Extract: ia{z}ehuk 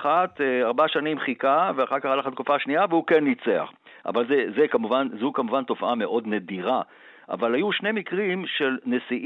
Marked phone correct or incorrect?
incorrect